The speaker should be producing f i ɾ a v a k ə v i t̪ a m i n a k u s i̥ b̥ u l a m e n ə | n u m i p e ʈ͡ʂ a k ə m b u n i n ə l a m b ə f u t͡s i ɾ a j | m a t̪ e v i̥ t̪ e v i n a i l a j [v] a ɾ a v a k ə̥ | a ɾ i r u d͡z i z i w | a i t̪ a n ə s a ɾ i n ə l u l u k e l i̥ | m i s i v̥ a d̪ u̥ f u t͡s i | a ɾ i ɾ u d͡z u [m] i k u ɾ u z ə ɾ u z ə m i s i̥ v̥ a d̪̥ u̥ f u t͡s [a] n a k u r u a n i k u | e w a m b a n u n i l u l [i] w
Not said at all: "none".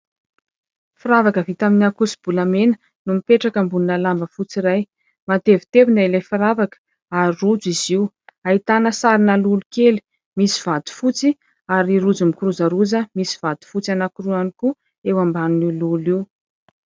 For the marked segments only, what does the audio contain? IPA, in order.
f, m, a, i

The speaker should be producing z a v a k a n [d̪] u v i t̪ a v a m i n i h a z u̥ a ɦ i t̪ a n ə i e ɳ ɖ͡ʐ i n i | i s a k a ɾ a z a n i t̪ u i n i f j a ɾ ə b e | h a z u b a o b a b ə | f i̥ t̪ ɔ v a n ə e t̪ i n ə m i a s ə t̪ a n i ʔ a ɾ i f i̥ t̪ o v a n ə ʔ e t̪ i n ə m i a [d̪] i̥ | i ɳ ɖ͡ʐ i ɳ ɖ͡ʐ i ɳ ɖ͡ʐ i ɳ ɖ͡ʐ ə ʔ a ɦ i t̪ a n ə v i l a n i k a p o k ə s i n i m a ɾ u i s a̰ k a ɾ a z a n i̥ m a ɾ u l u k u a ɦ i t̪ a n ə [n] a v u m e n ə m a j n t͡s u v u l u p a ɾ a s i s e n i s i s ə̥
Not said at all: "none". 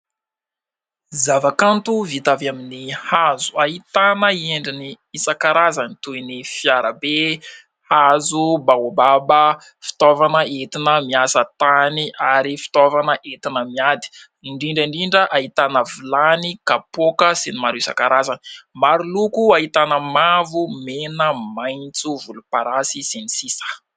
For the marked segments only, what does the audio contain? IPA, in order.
t̪, d̪, m

